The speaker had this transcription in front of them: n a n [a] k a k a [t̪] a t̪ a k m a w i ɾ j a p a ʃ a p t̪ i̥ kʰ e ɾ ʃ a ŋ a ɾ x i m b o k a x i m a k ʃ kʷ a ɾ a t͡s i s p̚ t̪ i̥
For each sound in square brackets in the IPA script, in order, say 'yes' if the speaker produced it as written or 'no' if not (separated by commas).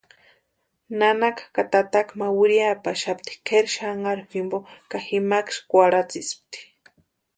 yes, yes